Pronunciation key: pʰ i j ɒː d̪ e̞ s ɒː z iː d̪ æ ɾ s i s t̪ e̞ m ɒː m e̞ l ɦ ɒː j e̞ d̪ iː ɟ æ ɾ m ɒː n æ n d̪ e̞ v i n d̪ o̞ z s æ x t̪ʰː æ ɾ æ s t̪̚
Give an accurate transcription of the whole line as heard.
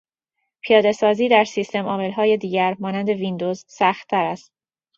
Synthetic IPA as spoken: pʰ i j ɒː d̪ e̞ s ɒː z iː d̪ æ ɾ s i s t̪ e̞ m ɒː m e̞ l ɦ ɒː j e̞ d̪ iː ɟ æ ɾ m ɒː n æ n d̪ e̞ v i n d̪ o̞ z s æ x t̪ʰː æ ɾ æ s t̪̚